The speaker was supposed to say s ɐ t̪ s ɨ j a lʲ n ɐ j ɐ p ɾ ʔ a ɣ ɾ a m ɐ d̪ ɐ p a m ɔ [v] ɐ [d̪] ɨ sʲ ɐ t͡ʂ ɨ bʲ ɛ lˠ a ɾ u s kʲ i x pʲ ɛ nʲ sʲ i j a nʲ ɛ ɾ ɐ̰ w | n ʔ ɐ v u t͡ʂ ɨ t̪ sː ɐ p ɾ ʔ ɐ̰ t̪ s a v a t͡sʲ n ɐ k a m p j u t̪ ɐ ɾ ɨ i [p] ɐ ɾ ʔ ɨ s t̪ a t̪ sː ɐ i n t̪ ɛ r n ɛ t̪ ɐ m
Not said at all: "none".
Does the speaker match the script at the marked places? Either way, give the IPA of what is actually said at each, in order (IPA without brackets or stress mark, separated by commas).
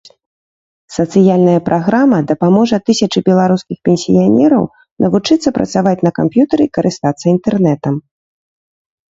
ʐ, t̪, k